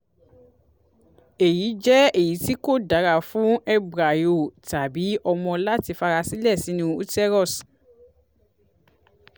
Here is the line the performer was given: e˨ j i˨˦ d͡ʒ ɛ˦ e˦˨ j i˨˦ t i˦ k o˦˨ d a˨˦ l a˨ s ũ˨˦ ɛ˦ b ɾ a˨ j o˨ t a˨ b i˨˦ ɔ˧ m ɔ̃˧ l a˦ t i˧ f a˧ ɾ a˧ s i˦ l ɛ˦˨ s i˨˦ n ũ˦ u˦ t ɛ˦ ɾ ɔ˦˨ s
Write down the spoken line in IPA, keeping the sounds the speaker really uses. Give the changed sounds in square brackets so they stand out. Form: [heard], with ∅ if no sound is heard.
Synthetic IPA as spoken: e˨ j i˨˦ d͡ʒ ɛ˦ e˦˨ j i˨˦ t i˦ k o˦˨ d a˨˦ [ɾ] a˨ [f] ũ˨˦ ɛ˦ b ɾ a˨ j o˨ t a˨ b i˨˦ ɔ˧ m ɔ̃˧ l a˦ t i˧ f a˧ ɾ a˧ s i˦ l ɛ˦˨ s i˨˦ n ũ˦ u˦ t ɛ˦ ɾ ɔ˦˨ s

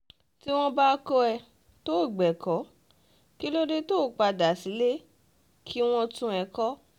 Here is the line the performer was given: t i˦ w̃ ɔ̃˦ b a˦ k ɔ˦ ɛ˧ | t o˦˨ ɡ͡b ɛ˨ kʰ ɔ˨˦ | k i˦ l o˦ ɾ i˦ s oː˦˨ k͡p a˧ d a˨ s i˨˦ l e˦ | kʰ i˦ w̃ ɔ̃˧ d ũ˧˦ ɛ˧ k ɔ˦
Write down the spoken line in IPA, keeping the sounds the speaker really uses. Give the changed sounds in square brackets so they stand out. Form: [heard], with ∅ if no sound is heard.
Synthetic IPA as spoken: t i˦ w̃ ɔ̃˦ b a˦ k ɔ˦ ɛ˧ | t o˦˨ ɡ͡b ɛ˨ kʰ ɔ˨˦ | k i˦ l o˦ ɾ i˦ [t] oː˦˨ k͡p a˧ d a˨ s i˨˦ l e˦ | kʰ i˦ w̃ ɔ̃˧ [t] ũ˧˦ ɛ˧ k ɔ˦

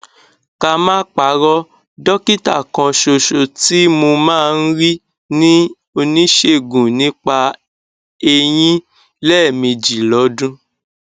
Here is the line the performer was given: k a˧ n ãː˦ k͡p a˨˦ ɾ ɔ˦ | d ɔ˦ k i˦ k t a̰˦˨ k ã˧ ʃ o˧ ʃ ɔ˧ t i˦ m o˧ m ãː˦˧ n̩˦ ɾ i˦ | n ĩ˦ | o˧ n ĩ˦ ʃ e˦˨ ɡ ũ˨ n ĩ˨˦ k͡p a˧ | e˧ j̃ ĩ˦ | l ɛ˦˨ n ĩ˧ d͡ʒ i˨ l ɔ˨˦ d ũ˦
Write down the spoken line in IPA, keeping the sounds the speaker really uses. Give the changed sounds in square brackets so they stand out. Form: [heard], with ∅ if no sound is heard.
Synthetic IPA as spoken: k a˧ [m] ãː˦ k͡p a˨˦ ɾ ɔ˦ | d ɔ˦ k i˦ [∅] t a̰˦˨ k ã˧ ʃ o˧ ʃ [o˧] t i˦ m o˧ m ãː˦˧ n̩˦ ɾ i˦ | n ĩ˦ | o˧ n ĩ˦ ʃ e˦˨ ɡ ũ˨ n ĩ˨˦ k͡p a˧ | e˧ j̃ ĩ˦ | l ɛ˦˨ [m] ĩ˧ d͡ʒ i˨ l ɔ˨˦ d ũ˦

